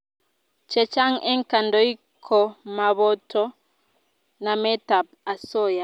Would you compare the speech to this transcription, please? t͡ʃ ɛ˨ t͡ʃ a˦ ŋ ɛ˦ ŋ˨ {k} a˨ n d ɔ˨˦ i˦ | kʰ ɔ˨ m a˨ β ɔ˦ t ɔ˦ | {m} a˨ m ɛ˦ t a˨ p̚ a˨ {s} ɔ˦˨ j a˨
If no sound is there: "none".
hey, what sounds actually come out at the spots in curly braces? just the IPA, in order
k, n, s

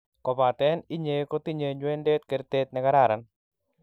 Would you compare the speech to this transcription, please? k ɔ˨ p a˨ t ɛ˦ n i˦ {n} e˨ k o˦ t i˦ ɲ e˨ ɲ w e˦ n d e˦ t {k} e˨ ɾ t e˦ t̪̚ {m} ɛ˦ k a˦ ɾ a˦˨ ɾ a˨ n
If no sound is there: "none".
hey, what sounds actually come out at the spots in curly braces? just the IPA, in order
ɲ, k, n

